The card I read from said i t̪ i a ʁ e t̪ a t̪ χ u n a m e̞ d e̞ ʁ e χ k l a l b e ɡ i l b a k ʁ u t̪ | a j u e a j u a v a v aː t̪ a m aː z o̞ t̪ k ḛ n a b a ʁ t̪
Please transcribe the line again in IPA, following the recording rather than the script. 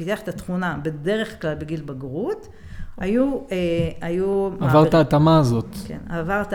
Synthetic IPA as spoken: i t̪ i a χ e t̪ a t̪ χ u n a b e̞ d e̞ ʁ e χ k l a l b e ɡ i l b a ɡ ʁ u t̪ | a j u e a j u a v a ʁ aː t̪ a m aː z o̞ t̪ k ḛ n a v a ʁ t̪